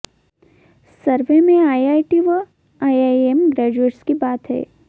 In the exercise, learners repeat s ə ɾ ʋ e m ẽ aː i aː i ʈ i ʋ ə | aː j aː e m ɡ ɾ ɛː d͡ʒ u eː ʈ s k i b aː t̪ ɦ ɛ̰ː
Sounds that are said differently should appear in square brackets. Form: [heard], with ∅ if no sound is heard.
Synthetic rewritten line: s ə ɾ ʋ e m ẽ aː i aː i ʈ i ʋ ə | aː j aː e m ɡ ɾ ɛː d͡ʒ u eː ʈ s k i b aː t̪ ɦ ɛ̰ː

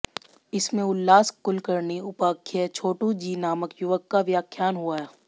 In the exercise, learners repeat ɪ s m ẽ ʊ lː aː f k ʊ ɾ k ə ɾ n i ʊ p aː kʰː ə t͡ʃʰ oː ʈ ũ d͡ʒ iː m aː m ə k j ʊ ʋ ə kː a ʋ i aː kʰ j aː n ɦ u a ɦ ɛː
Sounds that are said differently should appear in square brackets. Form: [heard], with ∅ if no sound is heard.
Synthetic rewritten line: ɪ s m ẽ ʊ lː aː [s] k ʊ [l] k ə ɾ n i ʊ p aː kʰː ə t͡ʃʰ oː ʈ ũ d͡ʒ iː [n] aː m ə k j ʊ ʋ ə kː a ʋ [j] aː kʰ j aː n ɦ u a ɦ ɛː

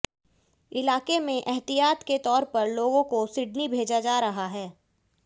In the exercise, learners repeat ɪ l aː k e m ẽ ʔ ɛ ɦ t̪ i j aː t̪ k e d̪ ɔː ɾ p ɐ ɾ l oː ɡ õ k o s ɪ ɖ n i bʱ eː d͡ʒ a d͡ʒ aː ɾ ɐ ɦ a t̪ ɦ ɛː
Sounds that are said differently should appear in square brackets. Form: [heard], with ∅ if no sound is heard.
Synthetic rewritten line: ɪ l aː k e m ẽ ʔ ɛ ɦ t̪ i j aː t̪ k e [t̪] ɔː ɾ p ɐ ɾ l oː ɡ õ k o s ɪ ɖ n i bʱ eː d͡ʒ a d͡ʒ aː ɾ ɐ ɦ a [∅] ɦ ɛː

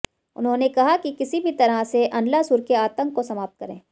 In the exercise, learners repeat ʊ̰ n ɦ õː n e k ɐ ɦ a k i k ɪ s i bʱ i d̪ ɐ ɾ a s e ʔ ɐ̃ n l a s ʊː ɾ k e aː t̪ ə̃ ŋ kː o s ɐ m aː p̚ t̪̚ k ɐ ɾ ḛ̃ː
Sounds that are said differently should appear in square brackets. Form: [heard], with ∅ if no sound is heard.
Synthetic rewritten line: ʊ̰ n ɦ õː n e k ɐ ɦ a k i k ɪ s i bʱ i [t̪] ɐ ɾ a s e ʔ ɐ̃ n l a s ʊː ɾ k e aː t̪ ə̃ ŋ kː o s ɐ m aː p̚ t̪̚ k ɐ ɾ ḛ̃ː

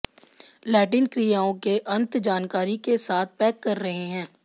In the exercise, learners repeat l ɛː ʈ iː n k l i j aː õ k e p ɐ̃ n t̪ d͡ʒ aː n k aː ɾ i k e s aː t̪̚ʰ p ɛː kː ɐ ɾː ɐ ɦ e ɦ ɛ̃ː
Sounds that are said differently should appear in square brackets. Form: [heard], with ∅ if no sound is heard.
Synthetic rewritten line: l ɛː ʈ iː n k [ɾ] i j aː õ k e [ʔ] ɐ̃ n t̪ d͡ʒ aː n k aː ɾ i k e s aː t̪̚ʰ p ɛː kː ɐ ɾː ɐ ɦ e ɦ ɛ̃ː

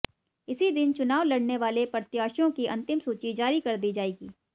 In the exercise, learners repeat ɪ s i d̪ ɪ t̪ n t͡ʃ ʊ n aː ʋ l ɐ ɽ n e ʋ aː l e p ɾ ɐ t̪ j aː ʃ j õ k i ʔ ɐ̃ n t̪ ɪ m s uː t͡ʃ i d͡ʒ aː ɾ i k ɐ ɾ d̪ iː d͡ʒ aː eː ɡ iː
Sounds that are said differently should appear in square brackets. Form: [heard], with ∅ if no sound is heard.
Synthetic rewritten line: ɪ s i d̪ ɪ [∅] n t͡ʃ ʊ n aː ʋ l ɐ ɽ n e ʋ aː l e p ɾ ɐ t̪ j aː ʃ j õ k i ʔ ɐ̃ n t̪ ɪ m s uː t͡ʃ i d͡ʒ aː ɾ i k ɐ ɾ d̪ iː d͡ʒ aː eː ɡ iː

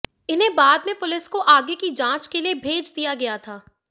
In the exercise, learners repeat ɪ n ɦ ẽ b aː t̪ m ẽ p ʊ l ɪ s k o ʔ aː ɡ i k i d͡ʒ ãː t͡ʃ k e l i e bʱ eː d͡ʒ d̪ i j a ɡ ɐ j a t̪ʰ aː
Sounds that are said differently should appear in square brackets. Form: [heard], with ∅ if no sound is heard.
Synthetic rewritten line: ɪ n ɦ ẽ b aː [d̪] m ẽ p ʊ l ɪ s k o ʔ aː ɡ [e] k i d͡ʒ ãː t͡ʃ k e l i e bʱ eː d͡ʒ d̪ i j a ɡ ɐ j a t̪ʰ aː

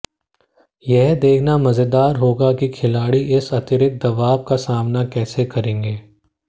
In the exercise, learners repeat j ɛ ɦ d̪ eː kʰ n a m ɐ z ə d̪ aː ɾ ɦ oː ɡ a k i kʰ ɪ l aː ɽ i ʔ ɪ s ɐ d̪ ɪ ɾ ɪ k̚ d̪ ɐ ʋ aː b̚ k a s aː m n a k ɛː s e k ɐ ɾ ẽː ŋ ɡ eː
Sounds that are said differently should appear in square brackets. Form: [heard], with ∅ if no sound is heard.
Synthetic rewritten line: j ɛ ɦ d̪ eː kʰ n a m ɐ z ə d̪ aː ɾ ɦ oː ɡ a k i kʰ ɪ l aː ɽ i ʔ ɪ s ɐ [t̪] ɪ ɾ ɪ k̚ d̪ ɐ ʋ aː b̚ k a s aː m n a k ɛː s e k ɐ ɾ ẽː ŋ ɡ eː

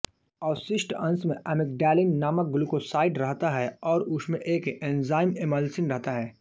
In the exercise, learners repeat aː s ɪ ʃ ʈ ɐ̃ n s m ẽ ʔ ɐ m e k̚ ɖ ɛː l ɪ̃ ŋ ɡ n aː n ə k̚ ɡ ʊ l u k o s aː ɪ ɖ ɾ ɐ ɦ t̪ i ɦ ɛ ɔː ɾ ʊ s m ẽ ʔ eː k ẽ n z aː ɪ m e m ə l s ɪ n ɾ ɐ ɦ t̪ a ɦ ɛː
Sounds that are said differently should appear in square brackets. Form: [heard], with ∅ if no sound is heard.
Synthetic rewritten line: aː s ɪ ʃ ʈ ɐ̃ n s m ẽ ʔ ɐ m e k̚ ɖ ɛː l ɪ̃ ŋ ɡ n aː [m] ə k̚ ɡ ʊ l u k o s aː ɪ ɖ ɾ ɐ ɦ t̪ [a] ɦ ɛ ɔː ɾ ʊ s m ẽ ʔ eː k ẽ n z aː ɪ m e m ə l s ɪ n ɾ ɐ ɦ t̪ a ɦ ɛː

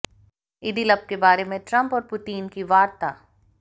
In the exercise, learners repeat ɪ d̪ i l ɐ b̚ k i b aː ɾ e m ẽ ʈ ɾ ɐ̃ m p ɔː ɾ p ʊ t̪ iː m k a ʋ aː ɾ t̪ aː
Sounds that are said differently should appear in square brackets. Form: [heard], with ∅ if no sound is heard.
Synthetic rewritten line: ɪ d̪ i l ɐ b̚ k [e] b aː ɾ e m ẽ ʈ ɾ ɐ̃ m p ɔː ɾ p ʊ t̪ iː [n] k [i] ʋ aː ɾ t̪ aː

